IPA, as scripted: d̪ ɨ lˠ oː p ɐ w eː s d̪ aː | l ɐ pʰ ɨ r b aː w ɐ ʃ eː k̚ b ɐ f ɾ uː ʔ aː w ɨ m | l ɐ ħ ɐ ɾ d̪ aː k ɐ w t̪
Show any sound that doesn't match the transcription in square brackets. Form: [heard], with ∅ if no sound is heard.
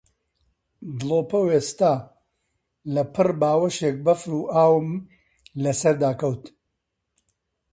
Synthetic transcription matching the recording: d̪ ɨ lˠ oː p ɐ w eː s [t̪] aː | l ɐ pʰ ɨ r b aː w ɐ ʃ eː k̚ b ɐ f ɾ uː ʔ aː w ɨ m | l ɐ [s] ɐ ɾ d̪ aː k ɐ w t̪